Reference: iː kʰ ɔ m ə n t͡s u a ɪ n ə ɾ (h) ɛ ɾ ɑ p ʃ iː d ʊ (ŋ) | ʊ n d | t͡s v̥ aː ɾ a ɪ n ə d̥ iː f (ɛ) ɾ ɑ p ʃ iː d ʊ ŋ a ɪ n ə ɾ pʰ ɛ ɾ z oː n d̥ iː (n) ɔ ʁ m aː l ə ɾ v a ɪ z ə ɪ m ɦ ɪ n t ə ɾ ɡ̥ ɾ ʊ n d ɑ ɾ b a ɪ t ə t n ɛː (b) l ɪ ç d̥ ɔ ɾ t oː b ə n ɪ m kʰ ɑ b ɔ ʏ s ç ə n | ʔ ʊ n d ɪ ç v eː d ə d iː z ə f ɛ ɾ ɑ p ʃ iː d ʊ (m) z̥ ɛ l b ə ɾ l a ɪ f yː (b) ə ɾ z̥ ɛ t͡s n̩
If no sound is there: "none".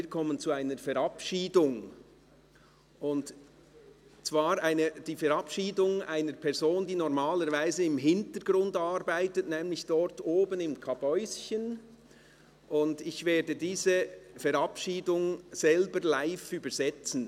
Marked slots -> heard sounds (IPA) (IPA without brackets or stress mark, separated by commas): f, ŋ, ɛ, n, m, ŋ, b